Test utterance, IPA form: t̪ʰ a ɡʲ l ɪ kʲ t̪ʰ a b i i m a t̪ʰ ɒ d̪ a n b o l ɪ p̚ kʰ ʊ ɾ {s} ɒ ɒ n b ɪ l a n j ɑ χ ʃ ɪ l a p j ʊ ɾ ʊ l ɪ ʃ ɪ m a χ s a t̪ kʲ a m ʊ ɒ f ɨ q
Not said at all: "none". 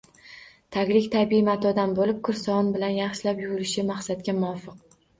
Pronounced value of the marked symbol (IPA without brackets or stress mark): s